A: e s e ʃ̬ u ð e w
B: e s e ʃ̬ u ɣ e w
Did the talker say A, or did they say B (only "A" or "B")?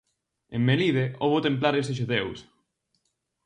A